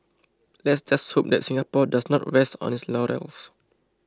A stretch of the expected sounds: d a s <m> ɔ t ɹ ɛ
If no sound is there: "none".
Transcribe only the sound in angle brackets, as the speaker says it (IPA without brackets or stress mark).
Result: n